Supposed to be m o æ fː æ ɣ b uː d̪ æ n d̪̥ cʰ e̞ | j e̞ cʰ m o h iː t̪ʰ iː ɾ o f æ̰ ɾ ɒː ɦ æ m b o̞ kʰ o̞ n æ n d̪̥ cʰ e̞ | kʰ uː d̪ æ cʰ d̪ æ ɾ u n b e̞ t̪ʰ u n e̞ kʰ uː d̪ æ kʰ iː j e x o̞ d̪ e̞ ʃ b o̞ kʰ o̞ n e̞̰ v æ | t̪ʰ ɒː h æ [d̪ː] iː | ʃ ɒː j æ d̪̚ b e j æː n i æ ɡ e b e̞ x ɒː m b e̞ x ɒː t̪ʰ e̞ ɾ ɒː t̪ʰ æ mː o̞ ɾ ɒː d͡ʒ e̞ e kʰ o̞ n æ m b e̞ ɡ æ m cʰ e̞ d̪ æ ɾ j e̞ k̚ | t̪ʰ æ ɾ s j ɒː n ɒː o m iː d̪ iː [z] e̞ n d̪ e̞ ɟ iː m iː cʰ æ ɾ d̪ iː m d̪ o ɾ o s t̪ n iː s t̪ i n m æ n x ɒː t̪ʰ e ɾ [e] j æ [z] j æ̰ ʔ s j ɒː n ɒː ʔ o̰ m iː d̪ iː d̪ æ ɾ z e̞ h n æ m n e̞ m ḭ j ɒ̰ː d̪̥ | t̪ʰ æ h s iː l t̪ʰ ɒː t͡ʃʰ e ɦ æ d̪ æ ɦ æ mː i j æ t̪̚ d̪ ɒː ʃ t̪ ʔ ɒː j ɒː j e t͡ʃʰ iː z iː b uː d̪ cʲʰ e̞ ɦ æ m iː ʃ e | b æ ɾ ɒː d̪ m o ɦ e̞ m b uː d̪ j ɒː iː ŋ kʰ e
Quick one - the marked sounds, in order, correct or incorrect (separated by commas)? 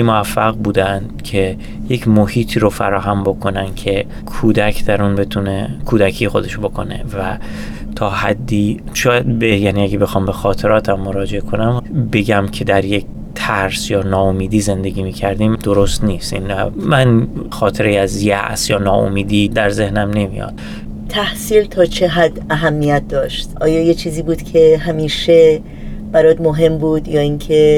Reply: correct, correct, correct, correct